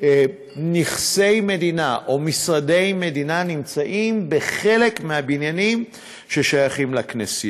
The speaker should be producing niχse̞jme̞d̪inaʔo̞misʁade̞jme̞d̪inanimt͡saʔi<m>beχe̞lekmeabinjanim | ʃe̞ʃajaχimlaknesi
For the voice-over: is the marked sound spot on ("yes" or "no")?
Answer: yes